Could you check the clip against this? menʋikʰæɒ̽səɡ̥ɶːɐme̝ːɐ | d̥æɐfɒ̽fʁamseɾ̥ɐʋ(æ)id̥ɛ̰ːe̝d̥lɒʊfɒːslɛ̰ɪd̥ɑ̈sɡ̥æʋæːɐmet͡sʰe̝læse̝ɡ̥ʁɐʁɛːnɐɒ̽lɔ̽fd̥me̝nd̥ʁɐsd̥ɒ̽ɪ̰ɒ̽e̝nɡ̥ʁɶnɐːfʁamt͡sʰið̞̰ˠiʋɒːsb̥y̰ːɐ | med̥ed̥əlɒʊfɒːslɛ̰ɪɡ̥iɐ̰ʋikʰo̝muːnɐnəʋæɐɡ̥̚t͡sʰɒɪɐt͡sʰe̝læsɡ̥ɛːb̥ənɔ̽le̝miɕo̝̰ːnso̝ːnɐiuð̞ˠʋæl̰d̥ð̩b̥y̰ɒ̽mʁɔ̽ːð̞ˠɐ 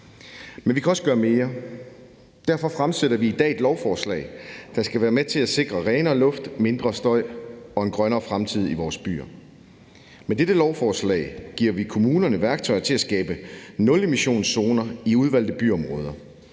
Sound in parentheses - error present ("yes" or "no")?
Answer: yes